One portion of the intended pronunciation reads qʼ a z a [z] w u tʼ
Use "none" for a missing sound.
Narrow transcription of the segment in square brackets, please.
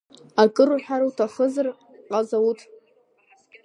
none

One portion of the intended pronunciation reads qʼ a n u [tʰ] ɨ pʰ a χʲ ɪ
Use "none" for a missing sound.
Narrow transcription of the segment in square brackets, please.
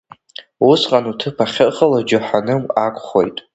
tʰ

